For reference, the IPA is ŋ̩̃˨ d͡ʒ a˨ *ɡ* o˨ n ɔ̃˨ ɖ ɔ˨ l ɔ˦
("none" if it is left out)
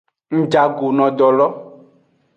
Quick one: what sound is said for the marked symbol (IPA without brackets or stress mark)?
ɡ